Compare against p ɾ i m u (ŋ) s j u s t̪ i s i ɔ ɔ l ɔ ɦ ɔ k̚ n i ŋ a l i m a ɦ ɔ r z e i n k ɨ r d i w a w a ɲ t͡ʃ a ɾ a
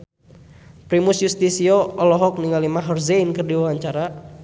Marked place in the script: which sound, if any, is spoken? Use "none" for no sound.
none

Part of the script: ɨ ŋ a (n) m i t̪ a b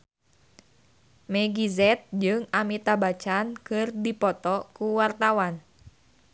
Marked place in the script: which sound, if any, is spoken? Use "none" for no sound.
none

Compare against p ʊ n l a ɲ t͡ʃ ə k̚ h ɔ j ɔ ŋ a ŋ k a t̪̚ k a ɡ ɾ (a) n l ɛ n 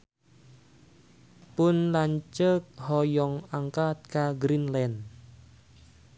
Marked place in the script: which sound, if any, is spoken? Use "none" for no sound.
i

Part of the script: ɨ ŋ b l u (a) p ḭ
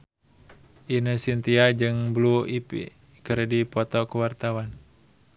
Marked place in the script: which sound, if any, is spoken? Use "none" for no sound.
i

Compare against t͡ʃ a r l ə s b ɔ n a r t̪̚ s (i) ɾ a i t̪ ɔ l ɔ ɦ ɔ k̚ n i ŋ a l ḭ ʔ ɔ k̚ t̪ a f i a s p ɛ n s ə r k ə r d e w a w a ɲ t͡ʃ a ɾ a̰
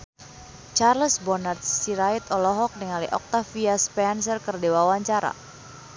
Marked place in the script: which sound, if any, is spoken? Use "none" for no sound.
i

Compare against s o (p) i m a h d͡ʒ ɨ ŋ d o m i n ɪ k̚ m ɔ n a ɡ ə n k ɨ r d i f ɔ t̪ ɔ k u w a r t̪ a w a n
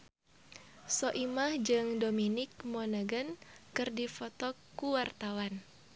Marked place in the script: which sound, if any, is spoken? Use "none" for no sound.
ʔ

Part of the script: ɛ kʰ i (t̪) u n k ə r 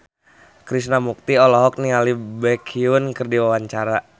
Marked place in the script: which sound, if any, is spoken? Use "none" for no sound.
none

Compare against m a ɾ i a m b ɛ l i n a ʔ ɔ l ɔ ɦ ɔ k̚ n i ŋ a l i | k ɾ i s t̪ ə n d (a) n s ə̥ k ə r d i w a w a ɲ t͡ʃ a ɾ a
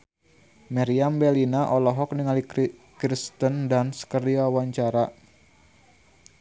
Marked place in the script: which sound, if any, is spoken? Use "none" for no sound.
a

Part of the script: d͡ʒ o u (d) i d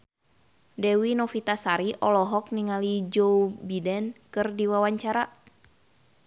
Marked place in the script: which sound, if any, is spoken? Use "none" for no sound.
b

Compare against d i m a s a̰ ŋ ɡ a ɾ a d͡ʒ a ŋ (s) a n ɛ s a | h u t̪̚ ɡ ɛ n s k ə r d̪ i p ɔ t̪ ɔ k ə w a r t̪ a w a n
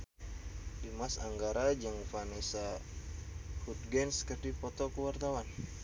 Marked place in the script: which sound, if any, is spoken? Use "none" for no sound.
f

